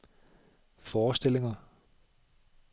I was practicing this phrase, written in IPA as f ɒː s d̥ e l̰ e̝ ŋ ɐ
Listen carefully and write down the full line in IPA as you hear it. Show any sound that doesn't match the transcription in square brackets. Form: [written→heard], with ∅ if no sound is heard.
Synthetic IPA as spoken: f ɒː s d̥ e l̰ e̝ ŋ ɐ